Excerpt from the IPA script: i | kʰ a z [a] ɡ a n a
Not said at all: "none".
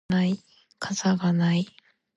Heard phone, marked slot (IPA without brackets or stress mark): a